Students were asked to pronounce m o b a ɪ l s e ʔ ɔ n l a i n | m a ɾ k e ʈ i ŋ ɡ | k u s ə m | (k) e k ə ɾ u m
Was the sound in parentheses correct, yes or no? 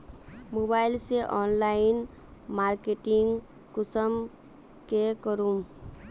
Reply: yes